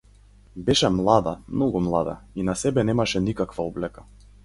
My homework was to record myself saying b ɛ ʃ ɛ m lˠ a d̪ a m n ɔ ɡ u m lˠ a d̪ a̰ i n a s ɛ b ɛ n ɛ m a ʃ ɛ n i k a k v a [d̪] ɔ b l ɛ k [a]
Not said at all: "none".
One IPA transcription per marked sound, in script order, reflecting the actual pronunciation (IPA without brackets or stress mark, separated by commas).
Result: none, a